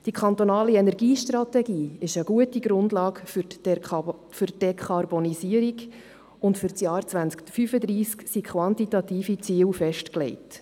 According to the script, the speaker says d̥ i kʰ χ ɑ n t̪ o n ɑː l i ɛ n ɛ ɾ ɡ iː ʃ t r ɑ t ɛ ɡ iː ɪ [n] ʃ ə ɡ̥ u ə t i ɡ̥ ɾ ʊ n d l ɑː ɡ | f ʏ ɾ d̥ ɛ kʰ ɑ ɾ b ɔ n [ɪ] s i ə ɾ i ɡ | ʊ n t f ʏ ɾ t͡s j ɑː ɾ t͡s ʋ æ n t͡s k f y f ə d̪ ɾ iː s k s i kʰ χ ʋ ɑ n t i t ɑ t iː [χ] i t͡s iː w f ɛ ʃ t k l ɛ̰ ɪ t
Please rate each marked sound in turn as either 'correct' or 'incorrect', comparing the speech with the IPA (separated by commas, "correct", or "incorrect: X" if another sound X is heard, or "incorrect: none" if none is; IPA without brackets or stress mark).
incorrect: none, incorrect: i, incorrect: f